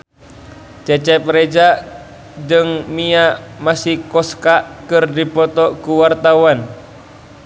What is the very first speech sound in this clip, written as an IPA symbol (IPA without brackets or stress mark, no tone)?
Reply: t͡ʃ